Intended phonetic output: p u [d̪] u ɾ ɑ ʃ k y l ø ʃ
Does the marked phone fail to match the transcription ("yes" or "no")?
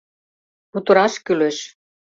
yes